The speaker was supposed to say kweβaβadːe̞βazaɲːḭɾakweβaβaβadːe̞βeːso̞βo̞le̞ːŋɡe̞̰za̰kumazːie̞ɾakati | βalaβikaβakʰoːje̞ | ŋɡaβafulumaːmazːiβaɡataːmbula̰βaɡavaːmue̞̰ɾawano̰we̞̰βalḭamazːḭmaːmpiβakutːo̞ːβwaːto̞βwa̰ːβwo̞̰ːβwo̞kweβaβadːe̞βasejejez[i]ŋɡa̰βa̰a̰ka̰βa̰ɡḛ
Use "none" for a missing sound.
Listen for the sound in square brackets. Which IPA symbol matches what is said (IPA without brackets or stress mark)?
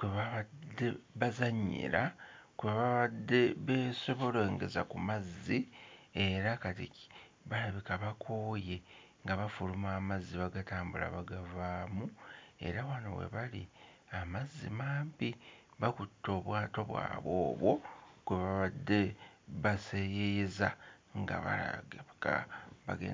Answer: a